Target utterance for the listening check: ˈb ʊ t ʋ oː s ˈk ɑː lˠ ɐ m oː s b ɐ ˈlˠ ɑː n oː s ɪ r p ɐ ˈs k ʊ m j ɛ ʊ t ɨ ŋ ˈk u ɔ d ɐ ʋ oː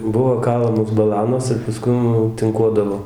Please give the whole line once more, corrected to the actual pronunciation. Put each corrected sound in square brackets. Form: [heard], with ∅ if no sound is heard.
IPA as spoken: ˈb ʊ [∅] ʋ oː [∅] ˈk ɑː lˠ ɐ m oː s b ɐ ˈlˠ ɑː n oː s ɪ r p ɐ ˈs k ʊ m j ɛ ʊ t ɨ ŋ ˈk u ɔ d ɐ ʋ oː